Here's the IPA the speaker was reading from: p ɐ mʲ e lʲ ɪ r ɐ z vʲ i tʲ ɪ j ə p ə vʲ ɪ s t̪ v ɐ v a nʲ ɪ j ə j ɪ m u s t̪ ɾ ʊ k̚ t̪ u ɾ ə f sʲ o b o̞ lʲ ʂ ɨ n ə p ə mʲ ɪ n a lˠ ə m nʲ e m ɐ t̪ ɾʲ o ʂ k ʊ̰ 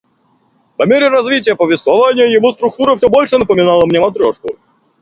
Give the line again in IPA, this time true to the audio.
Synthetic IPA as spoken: p ɐ mʲ e ɾʲ ɪ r ɐ z vʲ i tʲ ɪ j ə p ə vʲ ɪ s t̪ v ɐ v a nʲ ɪ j ə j ɪ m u s t̪ ɾ ʊ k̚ t̪ u ɾ ə f sʲ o b o̞ lʲ ʂ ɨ n ə p ə mʲ ɪ n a lˠ ə m nʲ e m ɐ t̪ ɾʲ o ʂ k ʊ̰